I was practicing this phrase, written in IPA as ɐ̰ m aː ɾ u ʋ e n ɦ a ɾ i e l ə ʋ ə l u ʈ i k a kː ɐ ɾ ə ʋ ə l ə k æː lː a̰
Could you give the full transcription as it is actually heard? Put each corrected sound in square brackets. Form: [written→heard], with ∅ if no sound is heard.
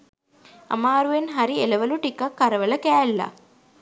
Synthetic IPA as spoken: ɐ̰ m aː ɾ u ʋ e n ɦ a ɾ i e l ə ʋ ə l u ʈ i k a kː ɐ ɾ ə ʋ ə l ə k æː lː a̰